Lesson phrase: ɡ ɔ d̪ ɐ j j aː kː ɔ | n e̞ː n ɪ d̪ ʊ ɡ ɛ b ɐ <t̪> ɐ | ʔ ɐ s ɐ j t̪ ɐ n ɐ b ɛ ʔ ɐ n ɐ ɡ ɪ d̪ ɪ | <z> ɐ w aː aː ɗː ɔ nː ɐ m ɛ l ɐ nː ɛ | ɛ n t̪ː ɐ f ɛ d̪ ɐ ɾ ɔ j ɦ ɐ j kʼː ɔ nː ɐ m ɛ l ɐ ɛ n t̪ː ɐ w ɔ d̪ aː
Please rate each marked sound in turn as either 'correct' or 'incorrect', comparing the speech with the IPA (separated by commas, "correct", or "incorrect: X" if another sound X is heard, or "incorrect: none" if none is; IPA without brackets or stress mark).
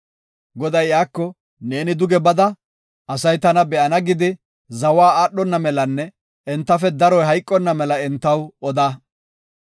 incorrect: d̪, correct